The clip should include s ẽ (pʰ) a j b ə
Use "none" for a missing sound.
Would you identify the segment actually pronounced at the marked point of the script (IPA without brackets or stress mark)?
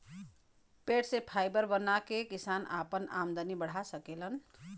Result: pʰ